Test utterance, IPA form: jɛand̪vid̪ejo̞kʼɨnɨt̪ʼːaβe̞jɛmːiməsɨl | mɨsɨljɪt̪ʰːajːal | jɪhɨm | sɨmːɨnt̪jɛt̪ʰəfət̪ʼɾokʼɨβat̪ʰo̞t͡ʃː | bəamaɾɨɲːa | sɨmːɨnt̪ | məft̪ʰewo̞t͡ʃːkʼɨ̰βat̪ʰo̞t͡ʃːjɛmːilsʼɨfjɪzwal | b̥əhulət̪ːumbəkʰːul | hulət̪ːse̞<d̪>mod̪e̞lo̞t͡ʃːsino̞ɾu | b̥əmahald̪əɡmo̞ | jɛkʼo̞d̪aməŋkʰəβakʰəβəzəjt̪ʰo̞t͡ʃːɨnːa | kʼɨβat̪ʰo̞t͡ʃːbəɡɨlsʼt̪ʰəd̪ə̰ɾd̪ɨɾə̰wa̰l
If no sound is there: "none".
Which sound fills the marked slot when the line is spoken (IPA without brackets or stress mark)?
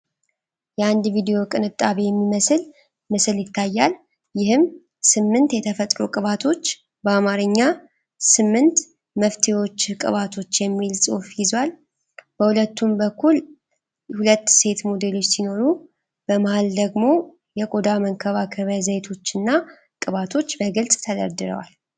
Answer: t̪